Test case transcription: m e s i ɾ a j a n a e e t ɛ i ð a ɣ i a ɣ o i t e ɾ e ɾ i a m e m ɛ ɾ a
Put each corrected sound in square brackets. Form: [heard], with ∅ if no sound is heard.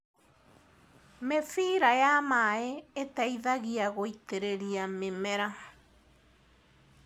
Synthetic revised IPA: m e [f] i ɾ a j a [m] a e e t [a] i ð a ɣ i a ɣ o i t e ɾ e ɾ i a m e m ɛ ɾ a